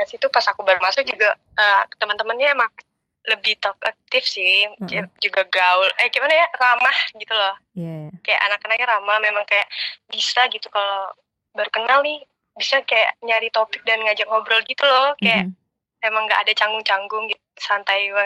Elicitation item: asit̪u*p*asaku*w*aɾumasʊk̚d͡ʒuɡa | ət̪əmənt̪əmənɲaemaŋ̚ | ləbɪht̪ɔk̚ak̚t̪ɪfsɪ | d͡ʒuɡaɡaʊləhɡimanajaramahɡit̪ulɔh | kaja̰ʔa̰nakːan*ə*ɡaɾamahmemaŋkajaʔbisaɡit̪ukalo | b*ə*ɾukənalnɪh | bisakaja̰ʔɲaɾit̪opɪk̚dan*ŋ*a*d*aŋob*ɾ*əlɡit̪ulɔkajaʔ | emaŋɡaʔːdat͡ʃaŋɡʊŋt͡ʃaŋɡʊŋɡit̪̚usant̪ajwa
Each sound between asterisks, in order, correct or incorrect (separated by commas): correct, incorrect, incorrect, incorrect, correct, incorrect, correct